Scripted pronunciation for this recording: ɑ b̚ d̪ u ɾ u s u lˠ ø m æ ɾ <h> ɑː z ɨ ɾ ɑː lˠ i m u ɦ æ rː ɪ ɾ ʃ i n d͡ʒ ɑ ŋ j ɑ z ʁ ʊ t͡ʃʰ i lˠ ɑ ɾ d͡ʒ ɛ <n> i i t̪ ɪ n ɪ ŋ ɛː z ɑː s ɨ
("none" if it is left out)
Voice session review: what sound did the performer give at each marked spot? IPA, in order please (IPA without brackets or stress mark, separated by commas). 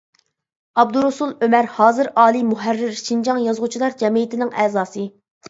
h, m